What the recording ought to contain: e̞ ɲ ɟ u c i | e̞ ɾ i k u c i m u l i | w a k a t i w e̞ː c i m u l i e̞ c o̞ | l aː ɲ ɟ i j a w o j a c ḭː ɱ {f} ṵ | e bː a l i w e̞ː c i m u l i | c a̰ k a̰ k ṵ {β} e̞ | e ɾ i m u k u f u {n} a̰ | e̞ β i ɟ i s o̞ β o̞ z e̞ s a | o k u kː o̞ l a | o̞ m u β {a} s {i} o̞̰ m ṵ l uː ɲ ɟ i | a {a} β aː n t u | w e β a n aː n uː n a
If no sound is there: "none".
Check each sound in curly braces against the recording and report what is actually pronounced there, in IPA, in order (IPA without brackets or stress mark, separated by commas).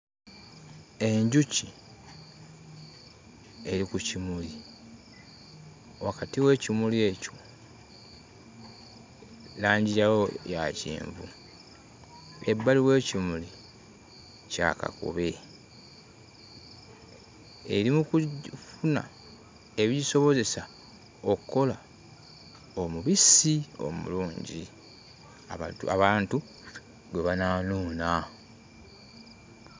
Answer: v, β, n, i, i, a